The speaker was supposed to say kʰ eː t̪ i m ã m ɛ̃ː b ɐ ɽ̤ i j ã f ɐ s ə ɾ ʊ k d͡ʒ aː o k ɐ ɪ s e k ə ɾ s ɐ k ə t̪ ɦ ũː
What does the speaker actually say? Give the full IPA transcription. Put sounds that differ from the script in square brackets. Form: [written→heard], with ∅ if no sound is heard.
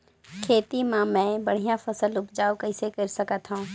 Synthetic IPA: kʰ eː t̪ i m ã m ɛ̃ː b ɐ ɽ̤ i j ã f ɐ s ə [ɾ→l] ʊ [k→p] d͡ʒ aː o k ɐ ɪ s e k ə ɾ s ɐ k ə t̪ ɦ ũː